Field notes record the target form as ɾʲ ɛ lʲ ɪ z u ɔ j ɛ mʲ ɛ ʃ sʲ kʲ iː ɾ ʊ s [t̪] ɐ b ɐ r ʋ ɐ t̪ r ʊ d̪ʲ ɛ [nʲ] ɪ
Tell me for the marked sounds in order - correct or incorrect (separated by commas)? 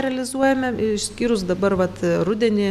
incorrect, correct